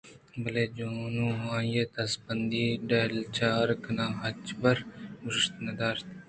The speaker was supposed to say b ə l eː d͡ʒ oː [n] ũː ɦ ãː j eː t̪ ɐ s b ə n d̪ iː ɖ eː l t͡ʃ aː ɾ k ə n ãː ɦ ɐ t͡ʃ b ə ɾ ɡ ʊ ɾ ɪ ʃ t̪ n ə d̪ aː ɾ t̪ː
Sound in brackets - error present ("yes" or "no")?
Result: no